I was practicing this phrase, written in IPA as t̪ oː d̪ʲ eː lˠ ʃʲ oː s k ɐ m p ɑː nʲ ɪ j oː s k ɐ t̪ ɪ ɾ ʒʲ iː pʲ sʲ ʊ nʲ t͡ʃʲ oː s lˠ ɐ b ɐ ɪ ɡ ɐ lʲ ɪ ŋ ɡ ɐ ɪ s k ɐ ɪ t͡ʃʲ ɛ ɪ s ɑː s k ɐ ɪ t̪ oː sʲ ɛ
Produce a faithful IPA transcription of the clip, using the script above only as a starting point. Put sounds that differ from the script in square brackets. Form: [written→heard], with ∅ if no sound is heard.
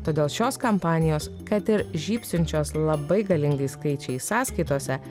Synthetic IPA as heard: t̪ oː d̪ʲ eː lˠ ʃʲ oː s k ɐ m p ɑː nʲ ɪ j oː s k ɐ t̪ ɪ ɾ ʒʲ iː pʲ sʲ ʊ nʲ t͡ʃʲ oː s lˠ ɐ b ɐ ɪ ɡ ɐ lʲ ɪ ŋ ɡ ɐ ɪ s k ɐ ɪ t͡ʃʲ ɛ ɪ s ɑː s k ɐ ɪ t̪ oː sʲ ɛ